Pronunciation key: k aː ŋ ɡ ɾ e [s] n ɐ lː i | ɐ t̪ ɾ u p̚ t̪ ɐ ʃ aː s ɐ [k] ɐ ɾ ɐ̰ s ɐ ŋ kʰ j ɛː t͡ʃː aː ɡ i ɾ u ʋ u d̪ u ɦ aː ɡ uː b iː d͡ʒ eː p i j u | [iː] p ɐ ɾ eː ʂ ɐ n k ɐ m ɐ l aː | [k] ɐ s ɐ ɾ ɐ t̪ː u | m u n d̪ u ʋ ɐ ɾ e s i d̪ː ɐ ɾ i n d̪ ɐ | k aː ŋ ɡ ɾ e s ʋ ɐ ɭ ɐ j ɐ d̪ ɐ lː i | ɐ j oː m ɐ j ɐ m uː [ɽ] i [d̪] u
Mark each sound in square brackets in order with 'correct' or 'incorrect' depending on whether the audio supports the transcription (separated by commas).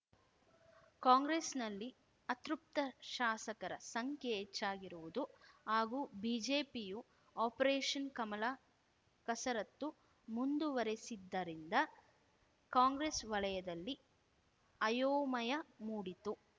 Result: correct, correct, incorrect, correct, correct, incorrect